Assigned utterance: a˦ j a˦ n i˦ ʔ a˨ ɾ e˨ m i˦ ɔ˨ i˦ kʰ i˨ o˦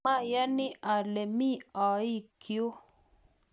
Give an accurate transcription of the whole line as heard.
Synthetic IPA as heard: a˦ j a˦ n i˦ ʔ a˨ l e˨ m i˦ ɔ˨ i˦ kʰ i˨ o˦